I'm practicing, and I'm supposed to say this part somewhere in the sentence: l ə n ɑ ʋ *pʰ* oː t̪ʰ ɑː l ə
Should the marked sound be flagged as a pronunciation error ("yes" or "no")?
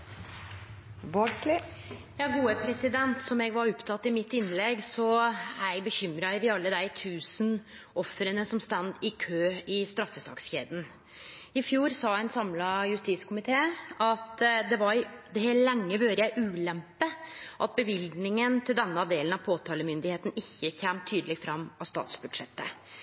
no